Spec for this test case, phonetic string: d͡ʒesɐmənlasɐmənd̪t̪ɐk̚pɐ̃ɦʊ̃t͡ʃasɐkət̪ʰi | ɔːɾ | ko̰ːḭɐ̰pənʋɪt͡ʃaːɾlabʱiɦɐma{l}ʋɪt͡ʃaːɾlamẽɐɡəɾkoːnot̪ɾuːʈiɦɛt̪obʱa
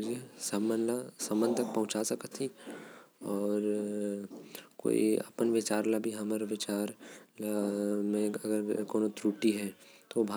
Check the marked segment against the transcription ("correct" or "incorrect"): incorrect